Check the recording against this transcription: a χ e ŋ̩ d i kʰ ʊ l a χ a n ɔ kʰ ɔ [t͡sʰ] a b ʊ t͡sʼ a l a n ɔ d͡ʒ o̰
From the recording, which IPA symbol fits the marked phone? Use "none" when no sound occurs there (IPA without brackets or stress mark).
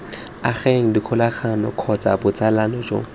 t͡s